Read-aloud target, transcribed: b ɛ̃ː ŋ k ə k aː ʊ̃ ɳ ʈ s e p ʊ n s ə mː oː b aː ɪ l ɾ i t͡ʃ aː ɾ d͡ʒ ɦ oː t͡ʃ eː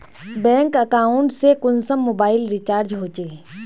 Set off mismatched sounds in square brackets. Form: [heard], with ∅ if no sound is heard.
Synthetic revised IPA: b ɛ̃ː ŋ k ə k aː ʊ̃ ɳ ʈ s e [k] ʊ n s ə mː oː b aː ɪ l ɾ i t͡ʃ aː ɾ d͡ʒ ɦ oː t͡ʃ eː